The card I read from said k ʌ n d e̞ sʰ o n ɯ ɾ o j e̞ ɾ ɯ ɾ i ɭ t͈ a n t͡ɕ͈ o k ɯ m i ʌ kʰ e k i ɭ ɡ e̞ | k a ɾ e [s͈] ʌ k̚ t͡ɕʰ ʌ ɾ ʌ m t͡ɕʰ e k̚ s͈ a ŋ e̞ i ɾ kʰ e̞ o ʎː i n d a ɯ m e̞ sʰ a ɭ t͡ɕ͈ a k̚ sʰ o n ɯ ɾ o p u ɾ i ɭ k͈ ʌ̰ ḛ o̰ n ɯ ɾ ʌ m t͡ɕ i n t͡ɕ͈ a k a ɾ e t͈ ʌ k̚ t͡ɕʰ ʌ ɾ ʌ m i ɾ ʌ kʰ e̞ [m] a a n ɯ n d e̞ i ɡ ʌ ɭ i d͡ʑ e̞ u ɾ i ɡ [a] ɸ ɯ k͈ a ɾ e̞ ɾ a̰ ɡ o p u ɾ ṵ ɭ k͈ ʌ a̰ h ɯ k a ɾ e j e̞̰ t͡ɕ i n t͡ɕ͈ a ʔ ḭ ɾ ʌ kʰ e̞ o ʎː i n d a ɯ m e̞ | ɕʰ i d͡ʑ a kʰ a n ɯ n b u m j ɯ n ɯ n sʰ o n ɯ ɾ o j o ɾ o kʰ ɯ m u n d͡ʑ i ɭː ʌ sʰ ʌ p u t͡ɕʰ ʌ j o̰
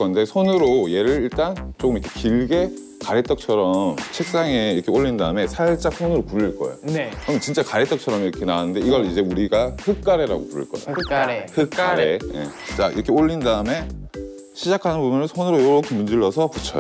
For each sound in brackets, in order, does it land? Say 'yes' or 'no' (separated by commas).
no, no, yes